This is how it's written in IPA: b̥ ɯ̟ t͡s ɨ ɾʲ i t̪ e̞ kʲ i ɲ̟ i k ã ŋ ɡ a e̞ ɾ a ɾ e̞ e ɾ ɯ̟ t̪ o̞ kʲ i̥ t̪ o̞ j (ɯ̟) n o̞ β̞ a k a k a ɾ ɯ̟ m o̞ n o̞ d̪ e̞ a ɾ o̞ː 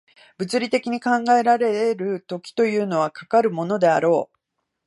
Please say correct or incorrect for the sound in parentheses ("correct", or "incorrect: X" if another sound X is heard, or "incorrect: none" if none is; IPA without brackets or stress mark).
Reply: incorrect: ɯ̟ː